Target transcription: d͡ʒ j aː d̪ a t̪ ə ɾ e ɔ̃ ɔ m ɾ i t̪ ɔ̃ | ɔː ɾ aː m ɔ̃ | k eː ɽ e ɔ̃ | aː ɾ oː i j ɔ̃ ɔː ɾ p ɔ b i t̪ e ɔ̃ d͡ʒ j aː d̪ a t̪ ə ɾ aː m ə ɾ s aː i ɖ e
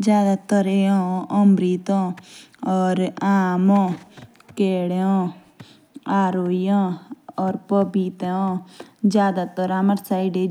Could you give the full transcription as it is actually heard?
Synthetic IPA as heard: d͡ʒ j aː d̪ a t̪ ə ɾ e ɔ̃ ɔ m ɾ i t̪ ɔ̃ | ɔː ɾ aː m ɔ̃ | k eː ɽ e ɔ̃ | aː ɾ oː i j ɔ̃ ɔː ɾ p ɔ b i t̪ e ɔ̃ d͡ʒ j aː d̪ a t̪ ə ɾ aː m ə ɾ s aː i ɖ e